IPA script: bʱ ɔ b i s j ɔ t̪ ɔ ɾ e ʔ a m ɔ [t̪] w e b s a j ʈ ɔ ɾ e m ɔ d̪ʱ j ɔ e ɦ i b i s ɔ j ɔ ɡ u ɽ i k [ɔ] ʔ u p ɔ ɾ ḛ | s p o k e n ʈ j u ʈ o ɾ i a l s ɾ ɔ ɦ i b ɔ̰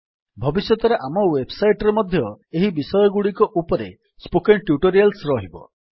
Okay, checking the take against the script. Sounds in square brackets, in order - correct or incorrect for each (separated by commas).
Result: incorrect, correct